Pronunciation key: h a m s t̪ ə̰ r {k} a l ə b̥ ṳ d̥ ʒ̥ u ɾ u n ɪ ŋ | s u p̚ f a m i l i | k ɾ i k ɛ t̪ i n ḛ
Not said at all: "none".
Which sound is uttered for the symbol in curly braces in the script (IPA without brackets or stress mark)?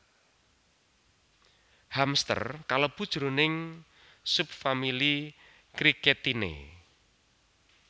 k